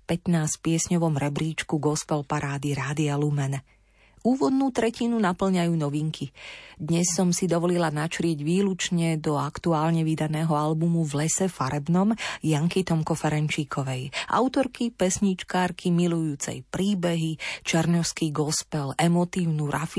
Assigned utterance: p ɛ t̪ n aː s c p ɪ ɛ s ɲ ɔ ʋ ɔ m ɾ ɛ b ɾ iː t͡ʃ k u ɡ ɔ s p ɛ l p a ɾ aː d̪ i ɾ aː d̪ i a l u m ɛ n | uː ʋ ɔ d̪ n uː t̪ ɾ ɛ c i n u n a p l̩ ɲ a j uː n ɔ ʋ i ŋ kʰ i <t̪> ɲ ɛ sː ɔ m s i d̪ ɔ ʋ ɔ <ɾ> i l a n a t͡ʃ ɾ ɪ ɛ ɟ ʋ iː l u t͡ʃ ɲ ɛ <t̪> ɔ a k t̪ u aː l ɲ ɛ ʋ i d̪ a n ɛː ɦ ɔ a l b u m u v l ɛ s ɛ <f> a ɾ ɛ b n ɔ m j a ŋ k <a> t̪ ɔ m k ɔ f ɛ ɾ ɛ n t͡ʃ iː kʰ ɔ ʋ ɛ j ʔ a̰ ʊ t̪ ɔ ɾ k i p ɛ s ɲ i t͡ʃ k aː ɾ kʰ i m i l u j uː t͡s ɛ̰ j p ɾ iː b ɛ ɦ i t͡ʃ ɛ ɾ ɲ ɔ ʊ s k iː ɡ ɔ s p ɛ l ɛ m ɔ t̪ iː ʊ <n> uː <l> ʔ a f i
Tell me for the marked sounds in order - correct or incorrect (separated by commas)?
incorrect, incorrect, incorrect, correct, incorrect, correct, incorrect